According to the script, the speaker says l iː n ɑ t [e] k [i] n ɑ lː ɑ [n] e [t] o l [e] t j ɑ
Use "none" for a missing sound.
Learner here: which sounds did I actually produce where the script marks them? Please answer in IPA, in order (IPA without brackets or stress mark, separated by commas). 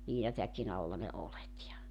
æ, i, n, none, e